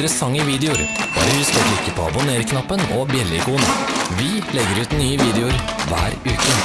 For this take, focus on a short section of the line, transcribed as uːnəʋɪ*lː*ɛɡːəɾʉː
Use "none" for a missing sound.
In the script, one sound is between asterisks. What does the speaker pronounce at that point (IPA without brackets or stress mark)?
l